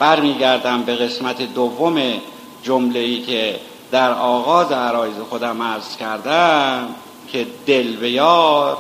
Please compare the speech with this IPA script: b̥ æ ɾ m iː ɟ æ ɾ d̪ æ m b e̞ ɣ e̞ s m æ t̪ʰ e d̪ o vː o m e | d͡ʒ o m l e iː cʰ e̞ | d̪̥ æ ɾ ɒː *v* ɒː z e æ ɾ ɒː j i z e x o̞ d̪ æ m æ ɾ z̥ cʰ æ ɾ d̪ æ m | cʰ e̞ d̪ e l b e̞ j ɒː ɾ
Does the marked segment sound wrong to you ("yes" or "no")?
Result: yes